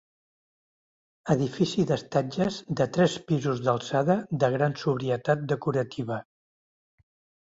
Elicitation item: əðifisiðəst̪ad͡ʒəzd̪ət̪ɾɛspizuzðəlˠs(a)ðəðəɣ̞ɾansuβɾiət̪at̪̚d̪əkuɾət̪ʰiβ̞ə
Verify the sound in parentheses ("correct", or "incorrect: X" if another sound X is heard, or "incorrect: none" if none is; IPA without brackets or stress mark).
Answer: correct